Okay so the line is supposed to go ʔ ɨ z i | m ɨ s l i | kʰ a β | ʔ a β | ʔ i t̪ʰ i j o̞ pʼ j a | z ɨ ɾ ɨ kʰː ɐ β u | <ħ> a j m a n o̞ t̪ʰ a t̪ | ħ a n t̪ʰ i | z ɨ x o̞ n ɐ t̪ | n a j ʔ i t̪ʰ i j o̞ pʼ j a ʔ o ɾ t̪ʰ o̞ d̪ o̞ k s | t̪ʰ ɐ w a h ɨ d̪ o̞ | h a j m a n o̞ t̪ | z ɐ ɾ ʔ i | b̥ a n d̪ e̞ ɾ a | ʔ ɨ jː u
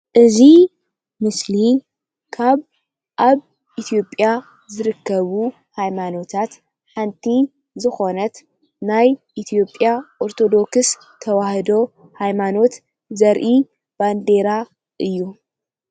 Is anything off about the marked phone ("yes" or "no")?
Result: yes